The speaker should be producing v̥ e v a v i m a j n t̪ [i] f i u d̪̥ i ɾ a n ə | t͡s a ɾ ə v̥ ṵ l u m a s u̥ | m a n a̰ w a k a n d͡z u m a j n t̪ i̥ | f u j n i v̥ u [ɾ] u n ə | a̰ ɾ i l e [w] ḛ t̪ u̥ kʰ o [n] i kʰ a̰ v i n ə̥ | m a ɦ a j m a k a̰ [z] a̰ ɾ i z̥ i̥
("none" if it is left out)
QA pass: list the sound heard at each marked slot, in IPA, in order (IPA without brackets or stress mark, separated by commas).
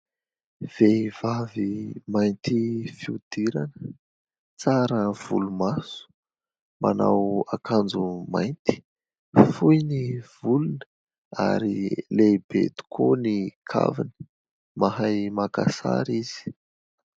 i, l, b, n, s